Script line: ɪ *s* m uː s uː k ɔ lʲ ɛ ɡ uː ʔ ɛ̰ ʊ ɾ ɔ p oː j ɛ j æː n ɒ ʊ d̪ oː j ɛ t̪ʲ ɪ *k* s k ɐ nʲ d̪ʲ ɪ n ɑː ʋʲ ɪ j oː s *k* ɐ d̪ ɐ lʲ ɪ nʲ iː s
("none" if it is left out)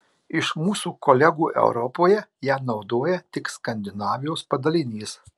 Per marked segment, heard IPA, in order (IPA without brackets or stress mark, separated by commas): ʃ, k, p